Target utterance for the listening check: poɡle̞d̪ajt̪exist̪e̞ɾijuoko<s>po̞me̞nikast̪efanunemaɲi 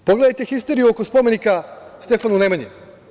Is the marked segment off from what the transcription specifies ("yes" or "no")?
no